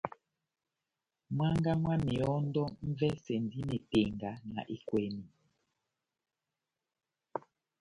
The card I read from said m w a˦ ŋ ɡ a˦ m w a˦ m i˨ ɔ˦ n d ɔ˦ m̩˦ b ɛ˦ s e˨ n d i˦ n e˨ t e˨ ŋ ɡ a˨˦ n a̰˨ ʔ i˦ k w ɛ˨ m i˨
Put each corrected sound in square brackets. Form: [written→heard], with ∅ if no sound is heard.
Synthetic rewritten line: m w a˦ ŋ ɡ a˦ m w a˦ m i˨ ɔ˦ n d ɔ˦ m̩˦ [b→v] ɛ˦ s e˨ n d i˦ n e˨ t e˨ ŋ ɡ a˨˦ n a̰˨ ʔ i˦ k w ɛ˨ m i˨